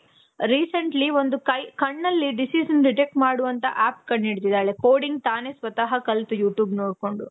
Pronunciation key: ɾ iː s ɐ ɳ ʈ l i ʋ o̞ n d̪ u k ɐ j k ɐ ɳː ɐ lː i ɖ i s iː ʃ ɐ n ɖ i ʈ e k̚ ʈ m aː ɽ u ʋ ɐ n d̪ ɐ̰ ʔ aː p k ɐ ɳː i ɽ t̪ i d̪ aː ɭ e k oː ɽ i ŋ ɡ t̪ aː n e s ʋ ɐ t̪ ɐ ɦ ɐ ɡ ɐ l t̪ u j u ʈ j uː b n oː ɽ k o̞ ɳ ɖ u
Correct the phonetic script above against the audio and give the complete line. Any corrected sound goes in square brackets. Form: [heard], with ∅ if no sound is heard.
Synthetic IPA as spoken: ɾ iː s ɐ ɳ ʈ l i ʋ o̞ n d̪ u k ɐ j k ɐ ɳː ɐ lː i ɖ i s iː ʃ ɐ n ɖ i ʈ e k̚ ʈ m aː ɽ u ʋ ɐ n [t̪] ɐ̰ ʔ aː p k ɐ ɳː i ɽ t̪ i d̪ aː ɭ e k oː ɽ i ŋ ɡ t̪ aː n e s ʋ ɐ t̪ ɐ ɦ ɐ [k] ɐ l t̪ u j [uː] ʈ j uː b n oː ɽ k o̞ ɳ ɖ u